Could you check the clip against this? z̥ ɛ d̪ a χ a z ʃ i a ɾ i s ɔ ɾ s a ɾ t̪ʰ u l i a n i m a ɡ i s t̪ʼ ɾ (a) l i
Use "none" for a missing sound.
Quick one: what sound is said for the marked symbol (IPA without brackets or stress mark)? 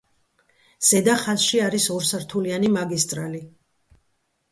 a